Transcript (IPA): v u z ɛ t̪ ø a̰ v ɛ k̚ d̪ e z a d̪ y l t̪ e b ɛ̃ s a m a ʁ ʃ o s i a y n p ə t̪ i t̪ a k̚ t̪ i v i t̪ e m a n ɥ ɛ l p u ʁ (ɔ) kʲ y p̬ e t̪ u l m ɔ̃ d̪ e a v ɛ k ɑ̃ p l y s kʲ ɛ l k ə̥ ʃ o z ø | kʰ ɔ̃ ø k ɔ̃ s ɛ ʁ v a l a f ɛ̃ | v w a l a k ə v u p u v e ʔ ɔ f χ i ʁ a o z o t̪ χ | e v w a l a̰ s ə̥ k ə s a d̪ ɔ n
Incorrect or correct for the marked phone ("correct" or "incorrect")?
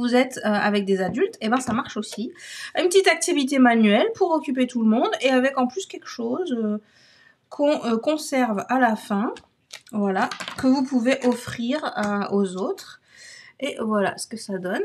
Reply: correct